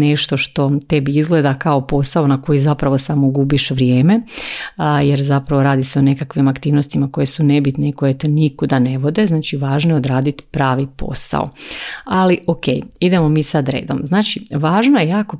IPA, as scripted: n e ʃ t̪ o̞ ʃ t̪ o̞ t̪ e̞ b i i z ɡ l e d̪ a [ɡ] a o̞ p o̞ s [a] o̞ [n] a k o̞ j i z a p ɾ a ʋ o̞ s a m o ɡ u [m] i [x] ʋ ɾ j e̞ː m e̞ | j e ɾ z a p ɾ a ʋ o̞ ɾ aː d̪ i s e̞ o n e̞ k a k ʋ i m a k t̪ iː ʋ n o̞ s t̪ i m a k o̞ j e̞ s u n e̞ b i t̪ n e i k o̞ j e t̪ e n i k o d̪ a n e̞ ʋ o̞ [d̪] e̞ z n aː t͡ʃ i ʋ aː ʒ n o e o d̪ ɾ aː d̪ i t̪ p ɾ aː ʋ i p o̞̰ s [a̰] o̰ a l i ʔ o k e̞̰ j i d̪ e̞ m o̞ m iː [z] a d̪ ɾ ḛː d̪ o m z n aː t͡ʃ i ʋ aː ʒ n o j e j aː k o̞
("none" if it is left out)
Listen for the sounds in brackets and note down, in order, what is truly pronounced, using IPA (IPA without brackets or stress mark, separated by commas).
k, a, n, b, ʃ, d̪, a̰, s